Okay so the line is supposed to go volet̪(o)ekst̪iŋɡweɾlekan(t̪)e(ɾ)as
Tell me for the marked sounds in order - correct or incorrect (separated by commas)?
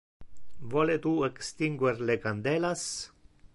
incorrect, incorrect, incorrect